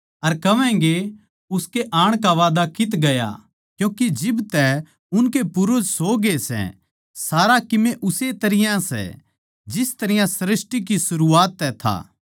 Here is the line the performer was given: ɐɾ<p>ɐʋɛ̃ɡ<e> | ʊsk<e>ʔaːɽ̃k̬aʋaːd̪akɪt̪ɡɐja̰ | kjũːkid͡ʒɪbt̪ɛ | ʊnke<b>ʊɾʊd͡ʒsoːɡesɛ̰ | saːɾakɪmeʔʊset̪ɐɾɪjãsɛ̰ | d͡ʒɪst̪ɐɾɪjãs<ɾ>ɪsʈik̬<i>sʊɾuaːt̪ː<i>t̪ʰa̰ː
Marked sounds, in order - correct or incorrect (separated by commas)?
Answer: incorrect, correct, correct, incorrect, correct, correct, incorrect